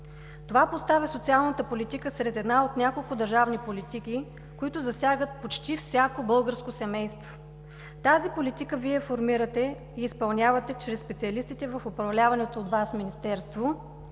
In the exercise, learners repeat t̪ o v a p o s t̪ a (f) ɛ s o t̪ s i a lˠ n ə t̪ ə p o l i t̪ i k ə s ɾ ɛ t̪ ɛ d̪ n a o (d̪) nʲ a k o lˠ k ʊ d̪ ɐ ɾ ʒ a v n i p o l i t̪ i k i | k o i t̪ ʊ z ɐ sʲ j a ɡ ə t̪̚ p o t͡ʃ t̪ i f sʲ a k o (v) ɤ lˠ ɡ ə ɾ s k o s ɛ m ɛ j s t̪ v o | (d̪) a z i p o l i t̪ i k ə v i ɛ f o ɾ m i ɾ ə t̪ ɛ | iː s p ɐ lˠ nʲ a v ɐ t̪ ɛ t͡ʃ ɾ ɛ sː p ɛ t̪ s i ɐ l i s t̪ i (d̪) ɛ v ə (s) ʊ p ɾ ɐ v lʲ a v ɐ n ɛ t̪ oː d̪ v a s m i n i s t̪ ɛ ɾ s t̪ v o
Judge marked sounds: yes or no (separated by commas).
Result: no, no, no, no, no, no